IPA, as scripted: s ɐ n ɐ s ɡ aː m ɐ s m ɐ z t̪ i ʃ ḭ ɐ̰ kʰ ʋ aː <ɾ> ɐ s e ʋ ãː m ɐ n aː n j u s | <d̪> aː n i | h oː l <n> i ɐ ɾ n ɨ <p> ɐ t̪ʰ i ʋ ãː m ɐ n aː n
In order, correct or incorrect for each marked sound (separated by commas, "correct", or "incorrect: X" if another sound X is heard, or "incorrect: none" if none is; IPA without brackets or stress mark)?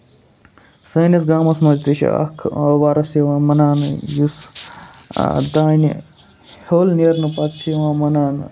correct, correct, correct, correct